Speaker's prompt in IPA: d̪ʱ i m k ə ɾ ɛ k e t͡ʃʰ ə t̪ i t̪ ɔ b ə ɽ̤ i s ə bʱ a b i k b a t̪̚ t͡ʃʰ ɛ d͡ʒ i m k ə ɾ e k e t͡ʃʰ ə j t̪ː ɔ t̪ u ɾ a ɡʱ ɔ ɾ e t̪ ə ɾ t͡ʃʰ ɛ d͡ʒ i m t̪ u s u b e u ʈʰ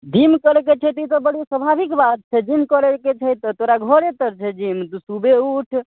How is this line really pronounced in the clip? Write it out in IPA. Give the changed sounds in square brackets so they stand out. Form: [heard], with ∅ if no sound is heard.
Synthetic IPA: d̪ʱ i m k ə ɾ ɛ k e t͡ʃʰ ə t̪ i t̪ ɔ b ə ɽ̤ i s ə bʱ a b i k b a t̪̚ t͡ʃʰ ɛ d͡ʒ i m k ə ɾ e k e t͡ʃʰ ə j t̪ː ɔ t̪ [o] ɾ a ɡʱ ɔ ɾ e t̪ ə ɾ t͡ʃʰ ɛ d͡ʒ i m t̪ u s u b e u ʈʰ

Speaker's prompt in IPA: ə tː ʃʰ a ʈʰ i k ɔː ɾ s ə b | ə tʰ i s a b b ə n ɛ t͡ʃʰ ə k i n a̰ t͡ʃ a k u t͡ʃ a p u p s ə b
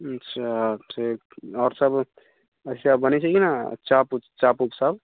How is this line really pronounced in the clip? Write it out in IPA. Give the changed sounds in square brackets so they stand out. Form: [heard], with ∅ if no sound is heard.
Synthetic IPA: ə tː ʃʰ a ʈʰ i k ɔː ɾ s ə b | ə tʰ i s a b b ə n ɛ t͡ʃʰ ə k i n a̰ t͡ʃ a [p] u t͡ʃ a p u p s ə b

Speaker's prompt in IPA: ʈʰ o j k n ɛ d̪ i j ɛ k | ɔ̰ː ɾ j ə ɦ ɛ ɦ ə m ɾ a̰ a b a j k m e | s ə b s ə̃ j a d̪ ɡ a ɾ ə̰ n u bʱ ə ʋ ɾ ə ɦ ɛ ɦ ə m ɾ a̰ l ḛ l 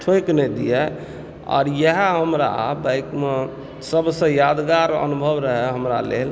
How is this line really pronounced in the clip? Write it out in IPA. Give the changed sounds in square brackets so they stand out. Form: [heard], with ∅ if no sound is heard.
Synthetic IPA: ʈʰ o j k n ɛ d̪ i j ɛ [∅] | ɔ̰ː ɾ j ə ɦ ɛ ɦ ə m ɾ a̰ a b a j k m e | s ə b s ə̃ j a d̪ ɡ a ɾ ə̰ n u bʱ ə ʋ ɾ ə ɦ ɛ ɦ ə m ɾ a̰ l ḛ l

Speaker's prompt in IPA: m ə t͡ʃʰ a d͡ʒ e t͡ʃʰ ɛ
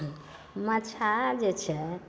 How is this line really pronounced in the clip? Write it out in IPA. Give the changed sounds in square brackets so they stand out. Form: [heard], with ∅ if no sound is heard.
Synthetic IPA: m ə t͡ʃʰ a d͡ʒ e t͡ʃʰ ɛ

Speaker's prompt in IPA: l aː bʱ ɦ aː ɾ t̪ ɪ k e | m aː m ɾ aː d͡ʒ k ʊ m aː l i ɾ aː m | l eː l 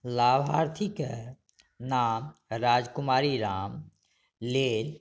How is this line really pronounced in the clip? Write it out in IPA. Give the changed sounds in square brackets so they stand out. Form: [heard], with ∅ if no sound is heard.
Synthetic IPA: l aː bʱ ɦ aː ɾ [t̪ʰ] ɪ k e | [n] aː m ɾ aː d͡ʒ k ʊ m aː [ɾ] i ɾ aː m | l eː l

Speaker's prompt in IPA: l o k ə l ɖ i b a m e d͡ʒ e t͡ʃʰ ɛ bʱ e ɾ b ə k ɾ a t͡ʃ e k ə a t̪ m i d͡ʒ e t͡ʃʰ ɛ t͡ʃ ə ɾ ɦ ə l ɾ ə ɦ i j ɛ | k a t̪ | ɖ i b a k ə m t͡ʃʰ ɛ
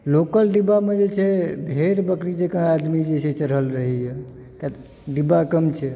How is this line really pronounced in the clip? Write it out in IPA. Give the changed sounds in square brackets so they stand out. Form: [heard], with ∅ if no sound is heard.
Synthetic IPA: l o k ə l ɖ i b a m e d͡ʒ e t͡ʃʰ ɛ bʱ e ɾ b ə k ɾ [i] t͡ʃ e k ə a [d̪] m i d͡ʒ e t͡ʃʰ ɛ t͡ʃ ə ɾ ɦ ə l ɾ ə ɦ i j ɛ | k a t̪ | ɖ i b a k ə m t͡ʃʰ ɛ

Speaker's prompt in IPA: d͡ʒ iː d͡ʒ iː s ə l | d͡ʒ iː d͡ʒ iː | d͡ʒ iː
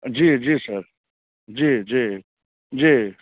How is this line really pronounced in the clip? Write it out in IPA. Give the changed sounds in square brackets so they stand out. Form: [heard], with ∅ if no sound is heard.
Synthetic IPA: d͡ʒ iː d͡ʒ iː s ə [ɾ] | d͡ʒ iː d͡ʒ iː | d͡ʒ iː

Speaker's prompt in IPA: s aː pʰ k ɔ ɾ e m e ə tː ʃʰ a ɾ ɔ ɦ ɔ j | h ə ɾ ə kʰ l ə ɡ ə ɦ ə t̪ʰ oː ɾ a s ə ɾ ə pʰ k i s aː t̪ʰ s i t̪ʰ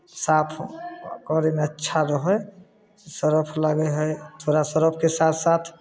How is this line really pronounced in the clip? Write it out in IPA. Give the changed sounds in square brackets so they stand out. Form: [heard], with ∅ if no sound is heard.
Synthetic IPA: s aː pʰ k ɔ ɾ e m e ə tː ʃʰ a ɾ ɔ ɦ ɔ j | [s] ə ɾ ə [pʰ] l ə ɡ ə ɦ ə t̪ʰ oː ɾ a s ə ɾ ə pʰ k [e] s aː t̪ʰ s [a] t̪ʰ

